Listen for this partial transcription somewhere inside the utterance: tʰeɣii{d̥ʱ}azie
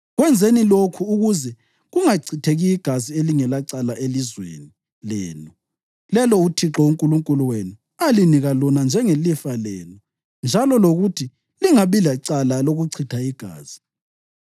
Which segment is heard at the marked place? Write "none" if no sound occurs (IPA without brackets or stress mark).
ɡ̥ʱ